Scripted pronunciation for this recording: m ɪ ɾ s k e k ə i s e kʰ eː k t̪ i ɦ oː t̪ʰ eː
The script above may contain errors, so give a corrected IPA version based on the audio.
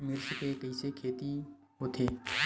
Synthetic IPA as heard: m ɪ ɾ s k e k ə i s e kʰ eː t̪ i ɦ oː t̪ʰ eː

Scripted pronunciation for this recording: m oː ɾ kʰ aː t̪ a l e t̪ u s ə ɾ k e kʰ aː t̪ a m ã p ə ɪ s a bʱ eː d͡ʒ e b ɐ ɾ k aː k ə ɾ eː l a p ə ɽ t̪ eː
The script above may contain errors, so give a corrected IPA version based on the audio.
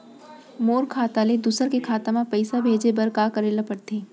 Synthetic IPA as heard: m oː ɾ kʰ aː t̪ a l e d̪ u s ə ɾ k e kʰ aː t̪ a m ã p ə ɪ s a bʱ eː d͡ʒ e b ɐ ɾ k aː k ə ɾ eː l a p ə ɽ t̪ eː

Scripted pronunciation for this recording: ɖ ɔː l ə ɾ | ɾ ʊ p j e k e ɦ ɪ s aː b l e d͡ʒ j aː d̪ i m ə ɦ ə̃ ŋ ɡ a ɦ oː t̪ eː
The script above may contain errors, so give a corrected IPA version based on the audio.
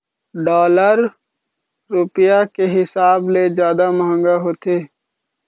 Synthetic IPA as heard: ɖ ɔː l ə ɾ | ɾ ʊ p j a k e ɦ ɪ s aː b l e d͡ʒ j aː d̪ a m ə ɦ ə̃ ŋ ɡ a ɦ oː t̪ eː

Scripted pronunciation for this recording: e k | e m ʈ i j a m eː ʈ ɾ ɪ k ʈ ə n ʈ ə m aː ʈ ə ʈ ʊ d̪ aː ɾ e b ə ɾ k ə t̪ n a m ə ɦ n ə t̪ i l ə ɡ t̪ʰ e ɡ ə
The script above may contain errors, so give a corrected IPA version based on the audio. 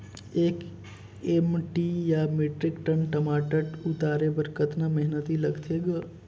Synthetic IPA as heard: e k | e m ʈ i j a m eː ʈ ɾ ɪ k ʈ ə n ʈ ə m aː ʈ ə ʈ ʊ t̪ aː ɾ e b ə ɾ k ə t̪ n a m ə ɦ n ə t̪ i l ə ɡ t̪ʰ e ɡ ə

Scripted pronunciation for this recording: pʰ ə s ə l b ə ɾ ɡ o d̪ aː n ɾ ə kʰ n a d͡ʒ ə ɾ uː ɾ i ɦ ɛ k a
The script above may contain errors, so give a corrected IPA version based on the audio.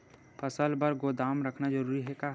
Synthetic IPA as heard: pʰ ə s ə l b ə ɾ ɡ o d̪ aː m ɾ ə kʰ n a d͡ʒ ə ɾ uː ɾ i ɦ ɛ k a

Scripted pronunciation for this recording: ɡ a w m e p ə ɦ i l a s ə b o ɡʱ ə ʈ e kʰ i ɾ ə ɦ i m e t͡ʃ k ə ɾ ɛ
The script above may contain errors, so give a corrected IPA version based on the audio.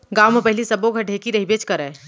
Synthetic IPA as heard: ɡ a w m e p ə ɦ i l i s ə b o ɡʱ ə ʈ e k i ɾ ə ɦ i b e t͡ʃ k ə ɾ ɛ

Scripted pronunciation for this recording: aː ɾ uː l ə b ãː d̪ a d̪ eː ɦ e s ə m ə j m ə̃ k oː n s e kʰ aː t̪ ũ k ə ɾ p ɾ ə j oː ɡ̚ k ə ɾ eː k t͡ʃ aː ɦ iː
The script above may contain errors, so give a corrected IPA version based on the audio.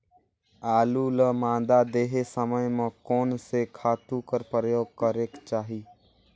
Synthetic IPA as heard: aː l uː l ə m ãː d̪ a d̪ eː ɦ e s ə m ə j m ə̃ k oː n s e kʰ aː t̪ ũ k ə ɾ p ɾ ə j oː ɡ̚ k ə ɾ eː k t͡ʃ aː ɦ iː

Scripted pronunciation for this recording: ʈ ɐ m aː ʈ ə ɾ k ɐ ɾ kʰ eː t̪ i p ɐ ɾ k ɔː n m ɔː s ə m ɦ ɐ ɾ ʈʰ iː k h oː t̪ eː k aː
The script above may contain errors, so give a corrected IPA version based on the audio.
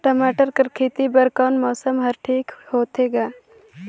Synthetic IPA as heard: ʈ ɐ m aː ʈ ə ɾ k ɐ ɾ kʰ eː t̪ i b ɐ ɾ k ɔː n m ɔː s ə m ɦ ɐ ɾ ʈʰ iː k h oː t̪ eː ɡ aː

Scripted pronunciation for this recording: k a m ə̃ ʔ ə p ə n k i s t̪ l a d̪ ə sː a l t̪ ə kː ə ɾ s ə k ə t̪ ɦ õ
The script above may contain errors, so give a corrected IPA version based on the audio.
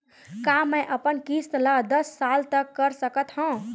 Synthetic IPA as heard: k a m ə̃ ʔ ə p ə n k i s t̪ l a d̪ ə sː a l t̪ ə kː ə ɾ s ə k ə t̪ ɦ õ

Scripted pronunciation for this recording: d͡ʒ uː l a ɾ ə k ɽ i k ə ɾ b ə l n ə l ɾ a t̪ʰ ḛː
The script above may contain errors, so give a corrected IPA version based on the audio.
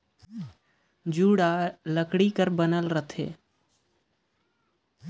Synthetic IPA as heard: d͡ʒ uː ɽ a l ə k ɽ i k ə ɾ b ə n ə l ɾ ə t̪ʰ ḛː

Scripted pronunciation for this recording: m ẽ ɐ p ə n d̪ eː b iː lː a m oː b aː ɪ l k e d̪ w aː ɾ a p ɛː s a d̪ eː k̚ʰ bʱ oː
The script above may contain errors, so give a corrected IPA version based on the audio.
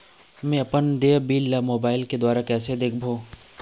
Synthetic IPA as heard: m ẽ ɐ p ə n d̪ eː b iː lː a m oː b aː ɪ l k e d̪ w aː ɾ a k ɛː s e d̪ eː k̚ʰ bʱ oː

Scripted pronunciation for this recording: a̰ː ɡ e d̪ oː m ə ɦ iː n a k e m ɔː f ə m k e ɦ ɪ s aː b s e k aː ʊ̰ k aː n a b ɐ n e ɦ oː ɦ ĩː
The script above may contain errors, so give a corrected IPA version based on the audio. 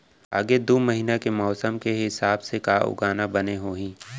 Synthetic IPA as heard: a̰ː ɡ e d̪ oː m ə ɦ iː n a k e m ɔː s ə m k e ɦ ɪ s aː b s e k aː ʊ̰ ɡ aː n a b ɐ n e ɦ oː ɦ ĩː

